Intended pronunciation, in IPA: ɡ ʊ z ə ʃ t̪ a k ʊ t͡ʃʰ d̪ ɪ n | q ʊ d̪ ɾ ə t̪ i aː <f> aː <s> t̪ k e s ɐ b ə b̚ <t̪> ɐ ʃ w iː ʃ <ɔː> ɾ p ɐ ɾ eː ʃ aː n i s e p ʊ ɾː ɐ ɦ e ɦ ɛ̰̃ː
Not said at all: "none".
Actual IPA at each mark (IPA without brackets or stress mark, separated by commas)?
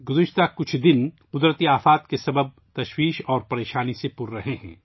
f, none, t̪, ɔː